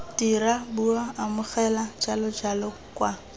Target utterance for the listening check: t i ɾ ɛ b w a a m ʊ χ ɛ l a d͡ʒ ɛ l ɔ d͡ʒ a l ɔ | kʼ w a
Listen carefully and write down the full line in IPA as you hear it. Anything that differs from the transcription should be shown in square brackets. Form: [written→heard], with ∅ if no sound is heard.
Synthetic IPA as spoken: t i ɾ [ɛ→a] b [w→u] a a m ʊ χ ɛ l a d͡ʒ [ɛ→a] l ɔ d͡ʒ a l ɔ | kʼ w a